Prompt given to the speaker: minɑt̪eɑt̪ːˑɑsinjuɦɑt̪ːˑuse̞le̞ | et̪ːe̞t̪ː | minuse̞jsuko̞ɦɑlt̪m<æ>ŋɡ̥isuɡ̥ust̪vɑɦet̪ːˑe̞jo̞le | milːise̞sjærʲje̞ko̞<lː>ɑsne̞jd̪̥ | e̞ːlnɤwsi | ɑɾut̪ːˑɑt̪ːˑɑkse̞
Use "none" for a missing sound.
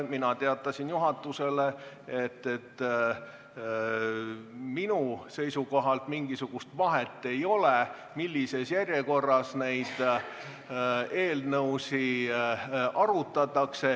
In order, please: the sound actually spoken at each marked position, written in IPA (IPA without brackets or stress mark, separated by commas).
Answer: i, rː